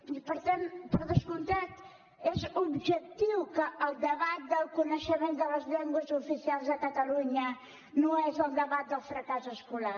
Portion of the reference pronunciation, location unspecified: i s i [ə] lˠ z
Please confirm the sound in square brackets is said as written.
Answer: no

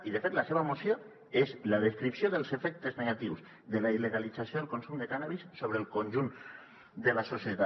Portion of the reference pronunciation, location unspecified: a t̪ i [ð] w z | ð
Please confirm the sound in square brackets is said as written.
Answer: no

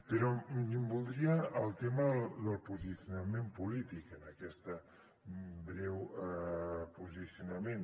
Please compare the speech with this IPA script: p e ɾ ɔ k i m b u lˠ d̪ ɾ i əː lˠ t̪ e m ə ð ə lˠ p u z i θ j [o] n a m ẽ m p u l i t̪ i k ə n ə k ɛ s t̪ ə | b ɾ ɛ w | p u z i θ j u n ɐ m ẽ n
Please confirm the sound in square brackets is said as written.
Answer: no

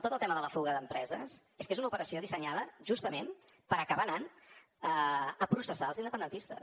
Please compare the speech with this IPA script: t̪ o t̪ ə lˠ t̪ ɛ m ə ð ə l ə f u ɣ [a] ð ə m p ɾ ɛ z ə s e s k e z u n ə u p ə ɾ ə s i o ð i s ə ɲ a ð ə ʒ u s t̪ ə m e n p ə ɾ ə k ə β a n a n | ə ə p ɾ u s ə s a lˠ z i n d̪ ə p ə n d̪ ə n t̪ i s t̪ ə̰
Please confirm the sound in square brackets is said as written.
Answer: no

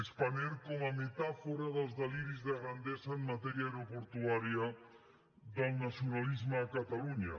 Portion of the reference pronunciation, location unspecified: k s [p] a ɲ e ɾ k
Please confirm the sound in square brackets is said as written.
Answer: yes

